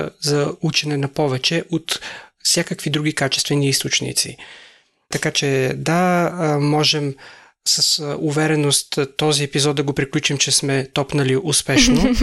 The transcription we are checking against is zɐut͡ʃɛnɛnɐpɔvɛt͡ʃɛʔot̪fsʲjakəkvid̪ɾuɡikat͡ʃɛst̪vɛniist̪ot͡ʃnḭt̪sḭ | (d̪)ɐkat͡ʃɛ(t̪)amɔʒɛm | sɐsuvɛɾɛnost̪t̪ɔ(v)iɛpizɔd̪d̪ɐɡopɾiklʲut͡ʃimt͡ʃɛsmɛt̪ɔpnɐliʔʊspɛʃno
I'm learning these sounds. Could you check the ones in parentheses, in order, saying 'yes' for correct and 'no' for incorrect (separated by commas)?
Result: no, no, no